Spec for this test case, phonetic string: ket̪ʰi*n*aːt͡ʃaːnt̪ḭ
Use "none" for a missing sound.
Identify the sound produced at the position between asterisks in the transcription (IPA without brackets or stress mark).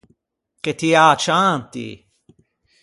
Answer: none